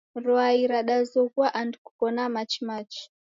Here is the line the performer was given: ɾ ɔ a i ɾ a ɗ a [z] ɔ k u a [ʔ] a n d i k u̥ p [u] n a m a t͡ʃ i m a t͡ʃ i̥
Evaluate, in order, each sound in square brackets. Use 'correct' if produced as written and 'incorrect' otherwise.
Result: correct, correct, incorrect: ɔ

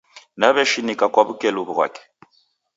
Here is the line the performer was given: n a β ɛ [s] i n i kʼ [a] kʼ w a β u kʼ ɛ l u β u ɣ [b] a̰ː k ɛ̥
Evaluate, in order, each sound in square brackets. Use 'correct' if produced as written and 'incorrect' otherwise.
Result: incorrect: ʃ, correct, incorrect: w

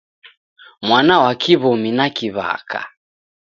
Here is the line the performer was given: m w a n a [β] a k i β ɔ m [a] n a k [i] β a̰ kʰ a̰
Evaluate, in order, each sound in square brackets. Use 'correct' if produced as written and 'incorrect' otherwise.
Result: incorrect: w, incorrect: i, correct

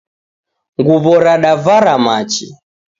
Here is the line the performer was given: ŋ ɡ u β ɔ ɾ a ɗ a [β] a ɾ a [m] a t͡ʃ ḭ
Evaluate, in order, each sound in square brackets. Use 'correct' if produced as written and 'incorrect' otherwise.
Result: incorrect: v, correct

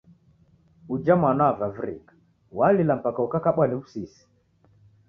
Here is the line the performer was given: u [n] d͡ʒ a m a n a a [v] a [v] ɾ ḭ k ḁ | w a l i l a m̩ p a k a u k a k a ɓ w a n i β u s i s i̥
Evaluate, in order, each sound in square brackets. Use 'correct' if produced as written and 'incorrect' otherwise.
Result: incorrect: none, correct, correct

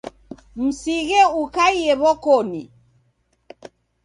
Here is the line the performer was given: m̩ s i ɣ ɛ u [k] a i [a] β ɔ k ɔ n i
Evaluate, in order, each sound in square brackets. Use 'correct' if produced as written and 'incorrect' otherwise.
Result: correct, incorrect: ɛ

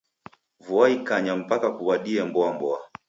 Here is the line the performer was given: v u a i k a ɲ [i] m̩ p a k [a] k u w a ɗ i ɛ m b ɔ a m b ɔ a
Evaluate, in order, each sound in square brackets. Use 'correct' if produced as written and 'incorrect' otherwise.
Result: incorrect: a, correct

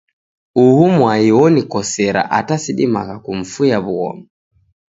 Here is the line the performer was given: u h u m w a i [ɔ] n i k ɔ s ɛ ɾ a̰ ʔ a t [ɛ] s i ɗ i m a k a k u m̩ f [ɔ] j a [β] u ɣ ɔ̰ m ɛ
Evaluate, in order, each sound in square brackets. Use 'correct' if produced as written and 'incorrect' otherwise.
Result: correct, incorrect: a, incorrect: u, correct

